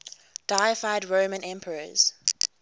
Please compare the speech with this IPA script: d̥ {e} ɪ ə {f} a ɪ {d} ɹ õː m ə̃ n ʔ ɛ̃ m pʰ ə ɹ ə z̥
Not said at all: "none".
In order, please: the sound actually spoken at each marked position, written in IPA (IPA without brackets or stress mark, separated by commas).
a, f, d